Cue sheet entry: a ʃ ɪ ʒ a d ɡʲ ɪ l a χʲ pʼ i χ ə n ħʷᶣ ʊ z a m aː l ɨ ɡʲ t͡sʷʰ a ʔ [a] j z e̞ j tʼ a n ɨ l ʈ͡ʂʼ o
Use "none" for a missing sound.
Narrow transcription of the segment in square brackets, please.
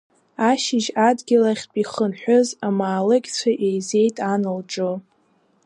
e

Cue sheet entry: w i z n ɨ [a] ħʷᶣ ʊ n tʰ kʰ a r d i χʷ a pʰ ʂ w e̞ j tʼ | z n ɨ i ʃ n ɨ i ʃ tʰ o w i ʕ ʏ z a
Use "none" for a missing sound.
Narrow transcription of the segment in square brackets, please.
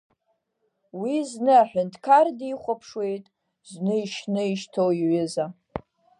a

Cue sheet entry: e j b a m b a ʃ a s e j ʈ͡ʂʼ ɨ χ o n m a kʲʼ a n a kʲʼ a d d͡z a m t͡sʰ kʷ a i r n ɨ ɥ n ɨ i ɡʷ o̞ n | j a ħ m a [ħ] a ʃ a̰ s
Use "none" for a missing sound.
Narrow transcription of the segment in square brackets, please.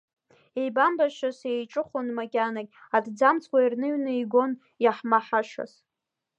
ħ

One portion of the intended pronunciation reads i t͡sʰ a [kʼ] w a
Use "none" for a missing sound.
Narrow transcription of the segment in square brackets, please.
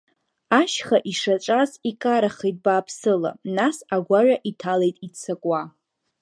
kʼ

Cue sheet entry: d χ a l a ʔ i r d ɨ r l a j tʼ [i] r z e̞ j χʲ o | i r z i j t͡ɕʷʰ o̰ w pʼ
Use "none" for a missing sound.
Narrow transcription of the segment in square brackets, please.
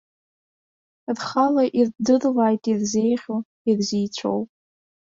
i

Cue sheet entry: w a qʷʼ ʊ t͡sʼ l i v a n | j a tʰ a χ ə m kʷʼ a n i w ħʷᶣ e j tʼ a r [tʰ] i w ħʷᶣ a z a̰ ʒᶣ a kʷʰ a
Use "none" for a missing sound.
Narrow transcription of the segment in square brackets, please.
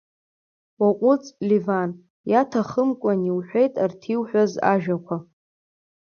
tʰ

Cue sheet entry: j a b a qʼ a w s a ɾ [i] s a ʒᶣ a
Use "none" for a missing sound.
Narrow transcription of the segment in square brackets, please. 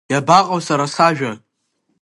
a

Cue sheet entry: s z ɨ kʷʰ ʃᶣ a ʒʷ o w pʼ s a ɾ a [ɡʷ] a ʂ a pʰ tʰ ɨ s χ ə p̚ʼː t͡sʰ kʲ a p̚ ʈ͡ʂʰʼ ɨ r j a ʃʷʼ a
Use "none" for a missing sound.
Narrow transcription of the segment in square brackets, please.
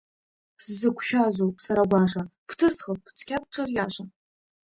ɡʷ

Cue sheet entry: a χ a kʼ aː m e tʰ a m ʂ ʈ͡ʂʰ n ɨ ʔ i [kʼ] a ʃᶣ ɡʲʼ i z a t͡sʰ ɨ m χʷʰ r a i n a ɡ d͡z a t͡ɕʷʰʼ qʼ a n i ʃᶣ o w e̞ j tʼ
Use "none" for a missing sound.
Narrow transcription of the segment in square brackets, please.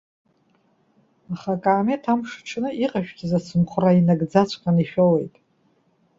qʼ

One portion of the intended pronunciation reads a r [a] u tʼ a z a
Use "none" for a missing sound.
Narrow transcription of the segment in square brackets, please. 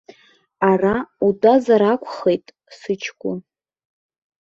a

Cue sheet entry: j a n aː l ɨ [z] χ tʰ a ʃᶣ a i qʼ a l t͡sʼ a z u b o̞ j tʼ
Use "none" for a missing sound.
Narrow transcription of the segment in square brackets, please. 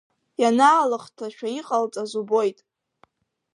none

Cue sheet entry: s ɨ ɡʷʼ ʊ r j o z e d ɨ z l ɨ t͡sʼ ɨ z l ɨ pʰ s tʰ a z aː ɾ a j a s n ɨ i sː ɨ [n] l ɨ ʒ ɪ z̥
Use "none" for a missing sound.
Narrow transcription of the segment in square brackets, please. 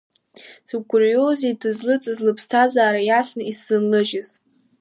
n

